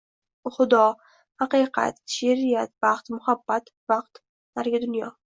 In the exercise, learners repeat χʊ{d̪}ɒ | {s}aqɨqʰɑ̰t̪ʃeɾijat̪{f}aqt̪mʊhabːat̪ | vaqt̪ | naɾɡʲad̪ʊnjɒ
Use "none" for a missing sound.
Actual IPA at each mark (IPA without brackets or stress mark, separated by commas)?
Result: d̪, h, v